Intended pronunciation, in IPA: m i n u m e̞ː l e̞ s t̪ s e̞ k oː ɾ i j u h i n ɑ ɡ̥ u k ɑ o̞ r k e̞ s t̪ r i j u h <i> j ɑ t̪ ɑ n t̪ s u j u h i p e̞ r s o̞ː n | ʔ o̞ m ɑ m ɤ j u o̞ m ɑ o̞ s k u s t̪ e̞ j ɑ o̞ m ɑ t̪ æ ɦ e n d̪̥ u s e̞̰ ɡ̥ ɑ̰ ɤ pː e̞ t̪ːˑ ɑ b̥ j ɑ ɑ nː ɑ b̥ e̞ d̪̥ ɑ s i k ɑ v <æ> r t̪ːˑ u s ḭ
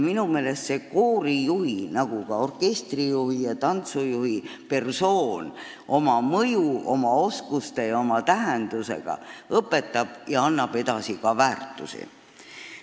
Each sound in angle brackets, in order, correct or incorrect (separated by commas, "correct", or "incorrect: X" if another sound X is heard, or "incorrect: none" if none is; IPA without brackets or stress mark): correct, incorrect: æː